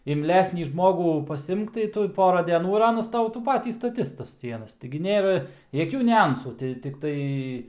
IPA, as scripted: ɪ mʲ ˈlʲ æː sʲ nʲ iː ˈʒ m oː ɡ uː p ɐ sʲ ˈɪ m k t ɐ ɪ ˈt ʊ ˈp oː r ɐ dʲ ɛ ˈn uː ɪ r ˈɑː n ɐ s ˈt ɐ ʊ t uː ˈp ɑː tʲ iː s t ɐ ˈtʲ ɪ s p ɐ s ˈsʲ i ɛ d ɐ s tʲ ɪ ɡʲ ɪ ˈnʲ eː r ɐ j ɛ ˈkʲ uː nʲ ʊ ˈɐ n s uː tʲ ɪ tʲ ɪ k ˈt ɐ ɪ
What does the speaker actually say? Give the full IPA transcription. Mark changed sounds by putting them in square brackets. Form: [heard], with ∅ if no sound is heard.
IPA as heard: ɪ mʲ ˈlʲ æː sʲ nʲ iː ˈʒ m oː ɡ uː p ɐ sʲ ˈɪ m k t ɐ ɪ ˈt ʊ ˈp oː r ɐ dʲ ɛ ˈn uː ɪ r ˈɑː n ɐ s ˈt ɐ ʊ t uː ˈp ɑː tʲ iː s t ɐ ˈtʲ ɪ s [t] ɐ s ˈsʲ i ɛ [n] ɐ s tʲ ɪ ɡʲ ɪ ˈnʲ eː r ɐ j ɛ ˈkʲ uː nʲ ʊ ˈɐ n s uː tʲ ɪ tʲ ɪ k ˈt ɐ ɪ